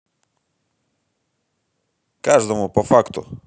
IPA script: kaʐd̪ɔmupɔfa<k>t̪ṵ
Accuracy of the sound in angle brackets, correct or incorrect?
correct